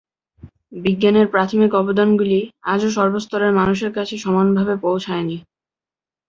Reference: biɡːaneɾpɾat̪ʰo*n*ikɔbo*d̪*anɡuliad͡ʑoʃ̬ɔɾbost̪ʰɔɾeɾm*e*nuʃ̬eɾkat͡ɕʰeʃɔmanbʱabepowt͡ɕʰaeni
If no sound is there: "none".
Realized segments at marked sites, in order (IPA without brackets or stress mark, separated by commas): m, d̪, a